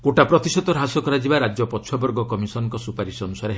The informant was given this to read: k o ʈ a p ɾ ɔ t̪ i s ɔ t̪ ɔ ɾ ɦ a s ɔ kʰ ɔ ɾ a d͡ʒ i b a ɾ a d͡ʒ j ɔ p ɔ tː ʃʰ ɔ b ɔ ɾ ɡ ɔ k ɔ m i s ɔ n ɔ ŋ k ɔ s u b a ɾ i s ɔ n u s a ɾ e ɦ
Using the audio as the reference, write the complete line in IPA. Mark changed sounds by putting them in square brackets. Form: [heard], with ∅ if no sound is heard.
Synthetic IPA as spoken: k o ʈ a p ɾ ɔ t̪ i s ɔ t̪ ɔ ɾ ɦ a s ɔ [k] ɔ ɾ a d͡ʒ i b a ɾ a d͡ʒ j ɔ p ɔ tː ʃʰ ɔ b ɔ ɾ ɡ ɔ k ɔ m i s ɔ n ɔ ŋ k ɔ s u [p] a ɾ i s ɔ n u s a ɾ e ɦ

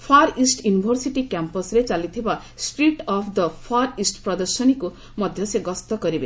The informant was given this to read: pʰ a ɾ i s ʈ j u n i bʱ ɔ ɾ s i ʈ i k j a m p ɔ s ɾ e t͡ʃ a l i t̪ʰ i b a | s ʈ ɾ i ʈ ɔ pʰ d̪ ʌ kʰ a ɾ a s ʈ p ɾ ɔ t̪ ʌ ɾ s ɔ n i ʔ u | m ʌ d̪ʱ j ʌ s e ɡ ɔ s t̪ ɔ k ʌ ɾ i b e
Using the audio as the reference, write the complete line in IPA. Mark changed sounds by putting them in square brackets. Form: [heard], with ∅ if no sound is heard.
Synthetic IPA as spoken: pʰ a ɾ i s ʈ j u n i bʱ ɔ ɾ s i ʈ i k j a m p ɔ s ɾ e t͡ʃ a l i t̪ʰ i b a | s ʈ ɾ i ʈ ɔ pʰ d̪ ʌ [pʰ] a ɾ [i] s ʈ p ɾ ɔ [d̪] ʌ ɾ s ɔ n i [k] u | m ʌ d̪ʱ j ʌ s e ɡ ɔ s t̪ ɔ k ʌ ɾ i b e

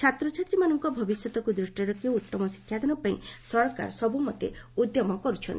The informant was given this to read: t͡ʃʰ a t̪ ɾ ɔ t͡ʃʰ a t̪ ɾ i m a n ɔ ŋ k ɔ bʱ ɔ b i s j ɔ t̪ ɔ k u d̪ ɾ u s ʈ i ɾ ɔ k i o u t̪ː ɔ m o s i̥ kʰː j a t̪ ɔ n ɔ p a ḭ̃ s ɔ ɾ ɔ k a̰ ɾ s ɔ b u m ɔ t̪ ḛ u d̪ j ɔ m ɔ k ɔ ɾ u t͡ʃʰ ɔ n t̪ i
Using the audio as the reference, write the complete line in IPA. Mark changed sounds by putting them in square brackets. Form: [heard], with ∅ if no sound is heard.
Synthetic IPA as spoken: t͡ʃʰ a t̪ ɾ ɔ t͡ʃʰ a t̪ ɾ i m a n ɔ ŋ k ɔ bʱ ɔ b i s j ɔ t̪ ɔ k u d̪ ɾ u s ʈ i ɾ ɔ k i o u t̪ː ɔ m [ɔ] s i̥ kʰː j a [d̪] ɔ n ɔ p a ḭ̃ s ɔ ɾ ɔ k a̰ ɾ s ɔ b u m ɔ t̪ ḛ u d̪ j ɔ m ɔ k ɔ ɾ u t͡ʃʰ ɔ n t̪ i

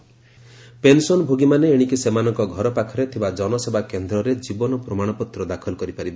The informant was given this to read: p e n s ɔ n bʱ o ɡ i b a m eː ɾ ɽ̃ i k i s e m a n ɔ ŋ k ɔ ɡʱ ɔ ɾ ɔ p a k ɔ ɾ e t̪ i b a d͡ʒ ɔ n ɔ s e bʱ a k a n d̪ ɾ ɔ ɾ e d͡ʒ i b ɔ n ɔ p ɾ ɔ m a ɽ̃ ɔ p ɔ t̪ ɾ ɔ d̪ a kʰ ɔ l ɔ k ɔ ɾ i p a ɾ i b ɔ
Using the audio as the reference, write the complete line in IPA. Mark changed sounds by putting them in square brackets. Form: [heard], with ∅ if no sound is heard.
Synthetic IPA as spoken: p e n s ɔ n bʱ o ɡ i [m] a [n] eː [∅] ɽ̃ i k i s e m a n ɔ ŋ k ɔ ɡʱ ɔ ɾ ɔ p a [kʰ] ɔ ɾ e [t̪ʰ] i b a d͡ʒ ɔ n ɔ s e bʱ a k [e] n d̪ ɾ ɔ ɾ e d͡ʒ i b ɔ n ɔ p ɾ ɔ m a ɽ̃ ɔ p ɔ t̪ ɾ ɔ d̪ a kʰ ɔ l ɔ k ɔ ɾ i p a ɾ i b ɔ

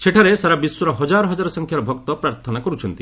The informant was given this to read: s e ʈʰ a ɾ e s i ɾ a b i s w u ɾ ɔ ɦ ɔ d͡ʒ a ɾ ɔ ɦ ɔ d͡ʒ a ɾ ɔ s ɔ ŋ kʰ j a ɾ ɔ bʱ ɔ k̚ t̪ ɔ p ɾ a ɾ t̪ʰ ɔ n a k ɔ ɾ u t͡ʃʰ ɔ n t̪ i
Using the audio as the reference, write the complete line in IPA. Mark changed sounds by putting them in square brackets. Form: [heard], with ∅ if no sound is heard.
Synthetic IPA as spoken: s e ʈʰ a ɾ e s [a] ɾ a b i s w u ɾ ɔ ɦ ɔ d͡ʒ a ɾ ɔ ɦ ɔ d͡ʒ a ɾ ɔ s ɔ ŋ kʰ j a ɾ ɔ bʱ ɔ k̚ t̪ ɔ p ɾ a ɾ t̪ʰ ɔ n a k ɔ ɾ u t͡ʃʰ ɔ n t̪ i

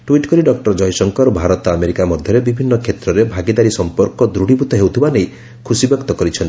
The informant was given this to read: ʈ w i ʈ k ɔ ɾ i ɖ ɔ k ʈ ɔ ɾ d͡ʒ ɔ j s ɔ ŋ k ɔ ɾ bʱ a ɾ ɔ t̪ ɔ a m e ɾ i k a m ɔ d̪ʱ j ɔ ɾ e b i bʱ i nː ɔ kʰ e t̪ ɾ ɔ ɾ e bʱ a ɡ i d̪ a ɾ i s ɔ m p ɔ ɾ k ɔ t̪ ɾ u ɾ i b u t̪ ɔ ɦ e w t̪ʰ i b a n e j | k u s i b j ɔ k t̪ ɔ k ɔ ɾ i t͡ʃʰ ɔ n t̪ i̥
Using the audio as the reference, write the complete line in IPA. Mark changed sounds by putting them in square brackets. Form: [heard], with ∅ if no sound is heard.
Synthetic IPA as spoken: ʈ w i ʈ k ɔ ɾ i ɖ ɔ k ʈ ɔ ɾ d͡ʒ ɔ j s ɔ ŋ k ɔ ɾ bʱ a ɾ ɔ t̪ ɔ a m e ɾ i k a m ɔ d̪ʱ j ɔ ɾ e b i bʱ i nː ɔ kʰ e t̪ ɾ ɔ ɾ e bʱ a ɡ i d̪ a ɾ i s ɔ m p ɔ ɾ k ɔ [d̪] ɾ u [ɽ] i b u t̪ ɔ ɦ e w t̪ʰ i b a n e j | [kʰ] u s i b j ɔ k t̪ ɔ k ɔ ɾ i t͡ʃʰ ɔ n t̪ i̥

